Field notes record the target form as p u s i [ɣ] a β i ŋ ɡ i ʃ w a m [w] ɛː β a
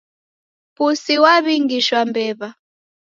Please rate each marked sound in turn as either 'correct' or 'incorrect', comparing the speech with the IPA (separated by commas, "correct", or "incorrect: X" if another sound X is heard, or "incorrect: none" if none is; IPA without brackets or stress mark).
incorrect: w, incorrect: b